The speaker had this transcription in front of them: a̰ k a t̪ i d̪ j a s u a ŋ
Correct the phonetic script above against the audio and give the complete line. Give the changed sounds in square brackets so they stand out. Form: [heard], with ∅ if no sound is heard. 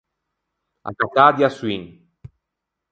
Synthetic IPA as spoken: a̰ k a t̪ [a] d̪ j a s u [i] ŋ

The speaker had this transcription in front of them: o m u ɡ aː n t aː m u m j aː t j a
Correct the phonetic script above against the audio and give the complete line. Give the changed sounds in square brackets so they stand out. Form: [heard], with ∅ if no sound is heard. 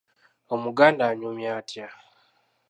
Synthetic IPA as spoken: o m u ɡ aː n [d] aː [ɲ] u m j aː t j a

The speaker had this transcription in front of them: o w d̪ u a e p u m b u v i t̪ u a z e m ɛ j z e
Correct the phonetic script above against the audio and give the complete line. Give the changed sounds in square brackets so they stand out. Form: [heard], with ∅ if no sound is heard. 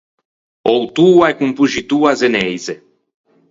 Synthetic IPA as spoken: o w [t̪] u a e [k] u m [p] u [ʒ] i t̪ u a z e [n] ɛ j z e

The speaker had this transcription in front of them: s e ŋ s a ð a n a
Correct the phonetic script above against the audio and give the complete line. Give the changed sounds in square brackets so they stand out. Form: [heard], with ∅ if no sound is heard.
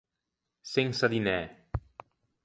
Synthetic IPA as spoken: s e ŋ s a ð [i] n [ɛ]

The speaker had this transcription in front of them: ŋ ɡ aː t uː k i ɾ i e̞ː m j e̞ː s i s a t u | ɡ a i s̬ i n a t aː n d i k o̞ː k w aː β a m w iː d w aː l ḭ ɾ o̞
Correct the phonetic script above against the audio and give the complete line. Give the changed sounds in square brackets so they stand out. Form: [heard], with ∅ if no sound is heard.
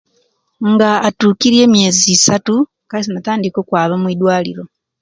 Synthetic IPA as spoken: ŋ ɡ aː t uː k i ɾ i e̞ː m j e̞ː [z] i s a t u | [k] a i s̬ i n a t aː n d i k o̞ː k w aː β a m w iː d w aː l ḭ ɾ o̞

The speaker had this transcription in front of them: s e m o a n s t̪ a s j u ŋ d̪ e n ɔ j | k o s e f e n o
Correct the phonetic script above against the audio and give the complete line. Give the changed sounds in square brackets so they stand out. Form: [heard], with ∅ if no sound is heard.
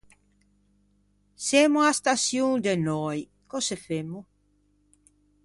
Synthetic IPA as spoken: s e m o a [∅] s t̪ a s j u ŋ d̪ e n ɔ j | k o s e f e [m] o

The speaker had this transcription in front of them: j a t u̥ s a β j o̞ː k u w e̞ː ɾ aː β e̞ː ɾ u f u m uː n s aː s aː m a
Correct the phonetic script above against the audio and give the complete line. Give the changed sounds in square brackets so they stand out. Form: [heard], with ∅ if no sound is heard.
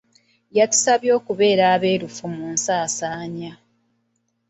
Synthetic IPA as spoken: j a t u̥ s a β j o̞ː k u [β] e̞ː ɾ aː β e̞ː ɾ u f u m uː n s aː s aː [ɲ] a

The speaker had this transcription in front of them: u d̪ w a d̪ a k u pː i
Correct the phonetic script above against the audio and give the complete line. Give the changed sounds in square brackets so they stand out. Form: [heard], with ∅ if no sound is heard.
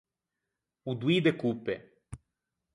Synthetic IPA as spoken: u d̪ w [i] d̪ [e] k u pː [e]

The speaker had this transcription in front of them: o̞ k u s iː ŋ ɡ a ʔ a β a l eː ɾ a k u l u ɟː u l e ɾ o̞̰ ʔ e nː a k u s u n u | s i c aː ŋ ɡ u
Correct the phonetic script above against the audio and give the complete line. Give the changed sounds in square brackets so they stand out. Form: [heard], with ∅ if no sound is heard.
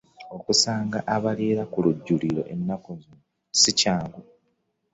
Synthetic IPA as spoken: o̞ k u s [aː] ŋ ɡ a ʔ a β a l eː ɾ a k u l u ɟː u l [i] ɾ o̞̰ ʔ e nː a k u [z] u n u | s i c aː ŋ ɡ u

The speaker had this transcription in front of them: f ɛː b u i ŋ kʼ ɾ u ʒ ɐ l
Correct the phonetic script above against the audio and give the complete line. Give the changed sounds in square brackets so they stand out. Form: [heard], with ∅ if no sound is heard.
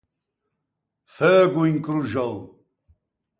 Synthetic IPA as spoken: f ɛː [ɡ] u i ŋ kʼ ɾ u ʒ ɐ l

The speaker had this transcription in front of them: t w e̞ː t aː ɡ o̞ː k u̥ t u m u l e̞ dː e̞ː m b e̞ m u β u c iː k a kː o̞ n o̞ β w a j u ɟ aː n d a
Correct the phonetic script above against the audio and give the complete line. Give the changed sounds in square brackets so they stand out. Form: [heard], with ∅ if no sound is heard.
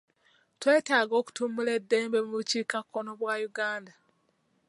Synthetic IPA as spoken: t w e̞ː t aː ɡ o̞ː k u̥ t u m u l e̞ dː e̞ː m b e̞ m u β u c iː k a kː o̞ n o̞ β w a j u [ɡ] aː n d a

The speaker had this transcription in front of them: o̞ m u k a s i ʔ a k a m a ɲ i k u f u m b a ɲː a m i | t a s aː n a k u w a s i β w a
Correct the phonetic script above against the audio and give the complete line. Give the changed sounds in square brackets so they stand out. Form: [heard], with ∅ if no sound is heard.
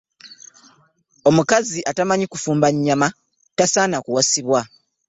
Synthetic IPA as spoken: o̞ m u k a [z] i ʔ a [t] a m a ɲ i k u f [uː] m b a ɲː a m [a] | t a s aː n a k u w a s i β w a

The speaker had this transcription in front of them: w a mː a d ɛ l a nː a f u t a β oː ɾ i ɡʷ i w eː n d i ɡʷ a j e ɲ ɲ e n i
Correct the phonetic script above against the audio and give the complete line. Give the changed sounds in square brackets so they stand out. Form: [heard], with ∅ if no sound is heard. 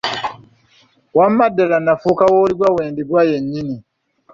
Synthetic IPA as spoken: w a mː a d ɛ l a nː a f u [k] a [w] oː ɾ i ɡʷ [a] w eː n d i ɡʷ a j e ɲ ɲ [i] n i

